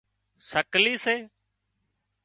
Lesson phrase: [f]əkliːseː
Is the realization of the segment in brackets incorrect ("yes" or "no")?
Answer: yes